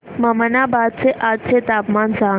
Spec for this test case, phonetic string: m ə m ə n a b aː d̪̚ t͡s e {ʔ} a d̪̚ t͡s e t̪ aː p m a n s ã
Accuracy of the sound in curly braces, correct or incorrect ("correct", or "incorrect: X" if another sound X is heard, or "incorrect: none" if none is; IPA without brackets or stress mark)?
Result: correct